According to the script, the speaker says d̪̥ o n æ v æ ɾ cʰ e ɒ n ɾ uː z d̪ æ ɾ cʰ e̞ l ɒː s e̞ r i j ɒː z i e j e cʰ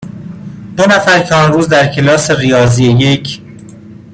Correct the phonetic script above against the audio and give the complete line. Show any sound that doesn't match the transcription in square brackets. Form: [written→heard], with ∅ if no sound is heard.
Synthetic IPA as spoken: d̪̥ o n æ [v→f] æ ɾ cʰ e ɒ n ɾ uː z d̪ æ ɾ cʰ e̞ l ɒː s e̞ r i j ɒː z i e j e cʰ

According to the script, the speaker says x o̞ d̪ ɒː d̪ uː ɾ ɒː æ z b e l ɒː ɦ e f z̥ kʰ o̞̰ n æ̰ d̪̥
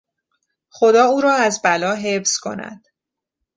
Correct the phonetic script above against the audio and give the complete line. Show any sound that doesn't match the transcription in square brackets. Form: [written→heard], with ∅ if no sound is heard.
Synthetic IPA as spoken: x o̞ d̪ ɒː [d̪→∅] uː ɾ ɒː æ z b [e→æ] l ɒː ɦ e f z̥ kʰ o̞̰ n æ̰ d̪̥

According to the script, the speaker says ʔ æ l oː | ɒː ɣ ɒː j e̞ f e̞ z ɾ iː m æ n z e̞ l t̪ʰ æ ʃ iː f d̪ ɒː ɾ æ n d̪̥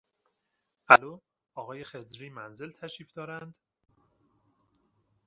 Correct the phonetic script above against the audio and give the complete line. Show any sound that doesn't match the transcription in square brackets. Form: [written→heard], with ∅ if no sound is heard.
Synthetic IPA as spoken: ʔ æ l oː | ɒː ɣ ɒː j e̞ [f→x] e̞ z ɾ iː m æ n z e̞ l t̪ʰ æ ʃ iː f d̪ ɒː ɾ æ n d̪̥

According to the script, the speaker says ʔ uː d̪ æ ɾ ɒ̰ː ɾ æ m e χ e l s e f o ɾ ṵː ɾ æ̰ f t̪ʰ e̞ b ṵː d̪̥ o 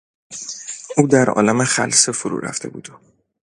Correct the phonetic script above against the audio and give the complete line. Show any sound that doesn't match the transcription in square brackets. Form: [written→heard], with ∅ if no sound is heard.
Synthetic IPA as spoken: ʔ uː d̪ æ ɾ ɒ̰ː [ɾ→l] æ m e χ [e→æ] l s e f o ɾ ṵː ɾ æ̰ f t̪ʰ e̞ b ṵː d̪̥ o

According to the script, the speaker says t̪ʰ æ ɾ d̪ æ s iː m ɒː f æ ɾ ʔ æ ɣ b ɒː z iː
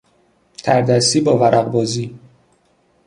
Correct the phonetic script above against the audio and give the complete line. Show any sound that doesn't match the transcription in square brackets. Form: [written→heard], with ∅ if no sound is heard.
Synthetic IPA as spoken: t̪ʰ æ ɾ d̪ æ s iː [m→b] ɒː [f→v] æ ɾ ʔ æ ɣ b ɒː z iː

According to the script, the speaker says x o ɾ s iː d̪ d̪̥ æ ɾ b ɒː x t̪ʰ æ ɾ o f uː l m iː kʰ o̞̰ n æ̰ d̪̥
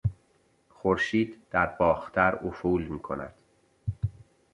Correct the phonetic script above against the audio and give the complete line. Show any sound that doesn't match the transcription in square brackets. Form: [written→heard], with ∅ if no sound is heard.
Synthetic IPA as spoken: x o ɾ [s→ʃ] iː d̪ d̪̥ æ ɾ b ɒː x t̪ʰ æ ɾ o f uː l m iː kʰ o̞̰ n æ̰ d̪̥

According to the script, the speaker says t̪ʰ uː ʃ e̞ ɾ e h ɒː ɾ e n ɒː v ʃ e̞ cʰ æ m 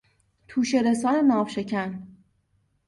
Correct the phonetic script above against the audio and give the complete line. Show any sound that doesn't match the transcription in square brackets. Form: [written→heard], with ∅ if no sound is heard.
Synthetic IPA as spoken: t̪ʰ uː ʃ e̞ ɾ e [h→s] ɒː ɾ e n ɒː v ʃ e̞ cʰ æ [m→n]

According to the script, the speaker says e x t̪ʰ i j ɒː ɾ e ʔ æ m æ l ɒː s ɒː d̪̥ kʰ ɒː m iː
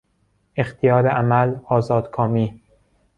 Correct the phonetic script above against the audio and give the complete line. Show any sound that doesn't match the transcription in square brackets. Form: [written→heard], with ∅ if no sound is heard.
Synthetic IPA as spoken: e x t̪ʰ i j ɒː ɾ e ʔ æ m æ l ɒː [s→z] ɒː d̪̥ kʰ ɒː m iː

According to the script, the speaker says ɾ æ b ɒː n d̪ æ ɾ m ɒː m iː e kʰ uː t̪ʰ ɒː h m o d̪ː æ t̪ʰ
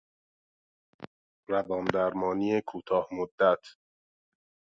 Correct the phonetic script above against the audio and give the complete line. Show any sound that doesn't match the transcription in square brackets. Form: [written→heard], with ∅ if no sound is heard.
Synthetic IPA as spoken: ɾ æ [b→v] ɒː n d̪ æ ɾ m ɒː [m→n] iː e kʰ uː t̪ʰ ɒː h m o d̪ː æ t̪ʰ

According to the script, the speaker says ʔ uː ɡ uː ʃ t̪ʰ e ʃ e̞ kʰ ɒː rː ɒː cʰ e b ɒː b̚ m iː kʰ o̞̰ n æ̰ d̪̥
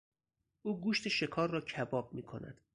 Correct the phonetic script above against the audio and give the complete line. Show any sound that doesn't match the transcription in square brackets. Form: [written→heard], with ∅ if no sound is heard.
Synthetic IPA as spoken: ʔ uː ɡ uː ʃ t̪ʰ e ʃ e̞ kʰ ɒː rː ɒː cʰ [e→æ] b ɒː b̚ m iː kʰ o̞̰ n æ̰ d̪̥

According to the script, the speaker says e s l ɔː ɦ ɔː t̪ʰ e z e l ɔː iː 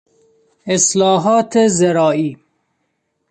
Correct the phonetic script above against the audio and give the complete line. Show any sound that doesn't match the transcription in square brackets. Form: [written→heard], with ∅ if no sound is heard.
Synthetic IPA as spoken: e s l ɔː ɦ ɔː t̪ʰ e z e [l→ɾ] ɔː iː

